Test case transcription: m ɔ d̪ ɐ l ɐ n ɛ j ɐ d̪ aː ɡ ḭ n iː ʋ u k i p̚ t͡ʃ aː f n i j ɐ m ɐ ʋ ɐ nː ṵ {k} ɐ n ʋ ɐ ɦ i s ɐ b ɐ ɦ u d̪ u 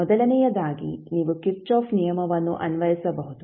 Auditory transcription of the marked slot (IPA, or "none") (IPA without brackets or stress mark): ʔ